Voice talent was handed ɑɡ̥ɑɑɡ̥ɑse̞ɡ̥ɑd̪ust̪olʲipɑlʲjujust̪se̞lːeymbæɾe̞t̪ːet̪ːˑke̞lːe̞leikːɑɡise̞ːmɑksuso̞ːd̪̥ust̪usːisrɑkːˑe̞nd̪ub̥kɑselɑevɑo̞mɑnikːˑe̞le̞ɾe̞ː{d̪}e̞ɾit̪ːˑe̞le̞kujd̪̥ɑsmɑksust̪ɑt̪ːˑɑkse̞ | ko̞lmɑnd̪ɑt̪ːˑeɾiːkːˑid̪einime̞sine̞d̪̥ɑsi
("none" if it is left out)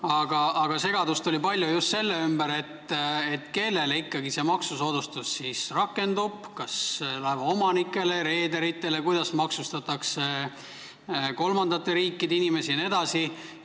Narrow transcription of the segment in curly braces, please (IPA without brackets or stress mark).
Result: d̪